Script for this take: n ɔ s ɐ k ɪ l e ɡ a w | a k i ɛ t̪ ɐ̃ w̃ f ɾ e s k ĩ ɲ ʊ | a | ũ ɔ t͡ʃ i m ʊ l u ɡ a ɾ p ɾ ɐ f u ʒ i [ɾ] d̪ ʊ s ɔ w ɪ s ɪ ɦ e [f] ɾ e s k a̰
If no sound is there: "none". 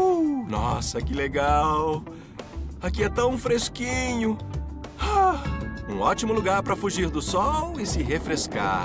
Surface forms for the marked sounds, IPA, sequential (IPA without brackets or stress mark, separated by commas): ɾ, f